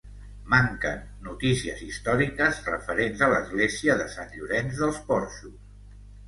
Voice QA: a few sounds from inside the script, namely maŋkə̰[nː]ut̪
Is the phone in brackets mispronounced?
no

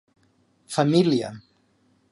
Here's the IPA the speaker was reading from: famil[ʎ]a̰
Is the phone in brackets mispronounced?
yes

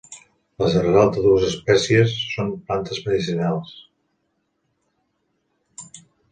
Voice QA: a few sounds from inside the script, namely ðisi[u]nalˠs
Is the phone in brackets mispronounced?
no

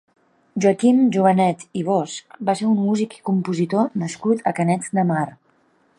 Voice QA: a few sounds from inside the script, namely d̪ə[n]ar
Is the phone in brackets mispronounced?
yes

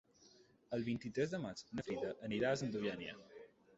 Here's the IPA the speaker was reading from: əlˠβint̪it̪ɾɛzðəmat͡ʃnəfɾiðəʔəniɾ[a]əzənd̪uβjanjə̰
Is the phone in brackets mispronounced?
no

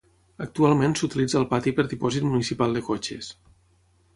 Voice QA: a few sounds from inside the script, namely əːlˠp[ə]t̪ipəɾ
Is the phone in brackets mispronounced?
yes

